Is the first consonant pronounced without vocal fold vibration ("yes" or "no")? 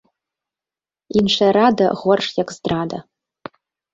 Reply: no